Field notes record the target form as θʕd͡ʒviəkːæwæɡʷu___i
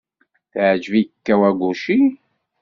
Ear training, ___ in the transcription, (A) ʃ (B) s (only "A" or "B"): A